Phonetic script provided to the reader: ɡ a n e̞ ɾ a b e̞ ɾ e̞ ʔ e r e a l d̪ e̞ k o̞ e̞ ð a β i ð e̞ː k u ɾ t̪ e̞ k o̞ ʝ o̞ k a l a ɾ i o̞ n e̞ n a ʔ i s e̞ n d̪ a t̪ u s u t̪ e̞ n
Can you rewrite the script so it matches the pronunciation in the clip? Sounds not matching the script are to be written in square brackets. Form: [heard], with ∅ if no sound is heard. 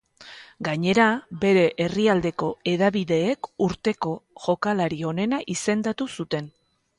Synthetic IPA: ɡ a [ɲ] e̞ ɾ a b e̞ ɾ e̞ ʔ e r [i] a l d̪ e̞ k o̞ e̞ ð a β i ð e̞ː k u ɾ t̪ e̞ k o̞ ʝ o̞ k a l a ɾ i o̞ n e̞ n a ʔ i s e̞ n d̪ a t̪ u s u t̪ e̞ n